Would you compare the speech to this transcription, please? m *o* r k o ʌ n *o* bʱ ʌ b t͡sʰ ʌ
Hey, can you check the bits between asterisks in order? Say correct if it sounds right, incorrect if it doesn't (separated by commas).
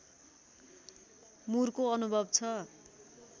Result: incorrect, incorrect